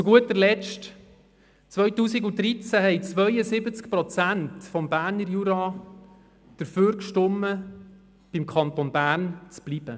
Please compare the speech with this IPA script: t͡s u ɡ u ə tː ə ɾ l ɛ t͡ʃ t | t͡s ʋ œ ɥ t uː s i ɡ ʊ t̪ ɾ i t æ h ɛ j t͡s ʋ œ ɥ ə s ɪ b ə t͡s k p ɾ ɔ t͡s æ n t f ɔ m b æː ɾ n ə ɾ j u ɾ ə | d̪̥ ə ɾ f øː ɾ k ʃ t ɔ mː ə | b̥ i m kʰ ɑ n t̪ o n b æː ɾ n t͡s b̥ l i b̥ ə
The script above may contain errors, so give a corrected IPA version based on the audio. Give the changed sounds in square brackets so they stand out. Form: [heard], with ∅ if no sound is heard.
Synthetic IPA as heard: t͡s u ɡ u ə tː ə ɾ l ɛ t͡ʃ t | t͡s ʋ œ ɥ t uː s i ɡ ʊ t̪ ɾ i [t͡s] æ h ɛ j t͡s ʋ œ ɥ ə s ɪ b ə t͡s k p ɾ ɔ t͡s æ n t f ɔ m b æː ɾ n ə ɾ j u ɾ [ɑ] | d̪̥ ə ɾ f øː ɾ k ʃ t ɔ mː ə | b̥ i m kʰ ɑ n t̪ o n b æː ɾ n t͡s b̥ l i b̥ ə